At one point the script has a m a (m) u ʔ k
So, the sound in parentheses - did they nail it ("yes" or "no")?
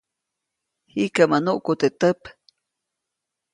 no